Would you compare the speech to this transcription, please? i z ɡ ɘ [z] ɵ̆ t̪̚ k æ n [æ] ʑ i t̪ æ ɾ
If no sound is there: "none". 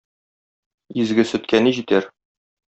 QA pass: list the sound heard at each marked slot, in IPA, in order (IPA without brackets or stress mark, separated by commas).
s, i